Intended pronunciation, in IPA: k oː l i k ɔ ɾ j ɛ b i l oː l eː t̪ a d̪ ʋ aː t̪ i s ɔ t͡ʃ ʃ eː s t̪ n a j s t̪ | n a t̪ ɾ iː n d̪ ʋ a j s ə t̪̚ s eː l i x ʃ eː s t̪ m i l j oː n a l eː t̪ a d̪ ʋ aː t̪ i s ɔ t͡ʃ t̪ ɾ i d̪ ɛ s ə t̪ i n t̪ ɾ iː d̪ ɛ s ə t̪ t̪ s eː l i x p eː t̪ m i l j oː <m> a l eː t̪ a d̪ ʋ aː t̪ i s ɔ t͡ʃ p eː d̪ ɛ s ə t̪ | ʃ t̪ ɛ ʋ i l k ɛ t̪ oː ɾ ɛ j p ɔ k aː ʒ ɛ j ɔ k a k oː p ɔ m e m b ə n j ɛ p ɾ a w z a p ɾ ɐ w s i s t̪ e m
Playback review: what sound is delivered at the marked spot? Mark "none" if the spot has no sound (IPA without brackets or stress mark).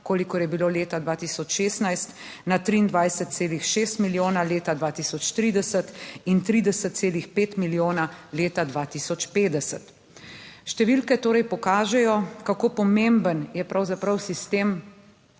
n